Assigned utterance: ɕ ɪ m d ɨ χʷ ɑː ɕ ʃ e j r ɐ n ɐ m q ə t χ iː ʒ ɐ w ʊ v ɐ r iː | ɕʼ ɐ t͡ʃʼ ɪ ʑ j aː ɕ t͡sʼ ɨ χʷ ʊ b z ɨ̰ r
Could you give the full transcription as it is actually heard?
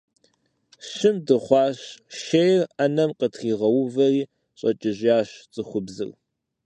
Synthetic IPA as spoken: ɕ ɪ m d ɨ χʷ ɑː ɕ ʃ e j r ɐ n ɐ m q ə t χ iː ʁ ɐ w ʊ v ɐ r iː | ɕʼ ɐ t͡ʃʼ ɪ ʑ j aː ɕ t͡sʼ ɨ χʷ ʊ b z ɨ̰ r